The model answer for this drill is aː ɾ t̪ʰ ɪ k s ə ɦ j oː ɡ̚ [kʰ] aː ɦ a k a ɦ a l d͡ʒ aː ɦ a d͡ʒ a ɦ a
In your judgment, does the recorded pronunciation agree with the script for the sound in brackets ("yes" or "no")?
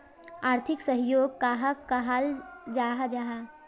no